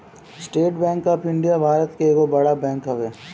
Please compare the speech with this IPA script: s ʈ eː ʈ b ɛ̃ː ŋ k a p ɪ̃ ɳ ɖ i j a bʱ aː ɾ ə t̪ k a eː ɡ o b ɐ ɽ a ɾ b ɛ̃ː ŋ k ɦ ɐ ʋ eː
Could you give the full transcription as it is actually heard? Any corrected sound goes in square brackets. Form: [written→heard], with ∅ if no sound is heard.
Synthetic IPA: s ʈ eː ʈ b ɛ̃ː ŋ k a p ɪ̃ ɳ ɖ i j a bʱ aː ɾ ə t̪ k [a→e] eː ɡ o b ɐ ɽ a [ɾ→∅] b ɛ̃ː ŋ k ɦ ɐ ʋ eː